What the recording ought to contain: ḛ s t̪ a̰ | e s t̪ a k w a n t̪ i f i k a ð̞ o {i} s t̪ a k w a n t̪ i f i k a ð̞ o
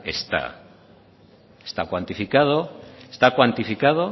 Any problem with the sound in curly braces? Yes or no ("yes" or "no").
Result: yes